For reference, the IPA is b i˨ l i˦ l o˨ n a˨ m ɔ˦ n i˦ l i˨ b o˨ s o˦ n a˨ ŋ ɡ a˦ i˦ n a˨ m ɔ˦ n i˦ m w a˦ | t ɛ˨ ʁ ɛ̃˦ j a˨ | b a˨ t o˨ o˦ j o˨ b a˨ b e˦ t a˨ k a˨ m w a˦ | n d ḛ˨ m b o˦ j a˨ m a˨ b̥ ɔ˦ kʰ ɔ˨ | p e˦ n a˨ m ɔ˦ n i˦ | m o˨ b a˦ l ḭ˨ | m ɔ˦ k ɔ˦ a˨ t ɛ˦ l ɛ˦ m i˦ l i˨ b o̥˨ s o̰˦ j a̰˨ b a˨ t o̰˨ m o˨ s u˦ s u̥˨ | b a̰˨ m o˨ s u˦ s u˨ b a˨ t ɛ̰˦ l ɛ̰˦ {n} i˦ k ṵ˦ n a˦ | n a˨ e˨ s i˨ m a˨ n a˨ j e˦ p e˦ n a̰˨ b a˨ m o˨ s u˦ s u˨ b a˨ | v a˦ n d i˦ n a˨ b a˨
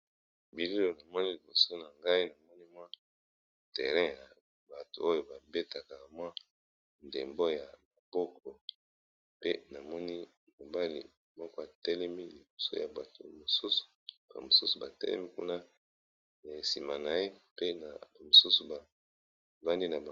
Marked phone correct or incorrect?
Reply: incorrect